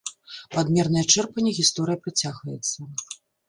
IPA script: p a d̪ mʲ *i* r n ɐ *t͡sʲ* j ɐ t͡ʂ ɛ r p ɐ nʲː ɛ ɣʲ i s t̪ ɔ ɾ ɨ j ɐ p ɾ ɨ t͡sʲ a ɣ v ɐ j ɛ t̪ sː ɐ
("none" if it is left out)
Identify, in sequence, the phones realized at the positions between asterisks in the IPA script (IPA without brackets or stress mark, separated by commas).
ɛ, none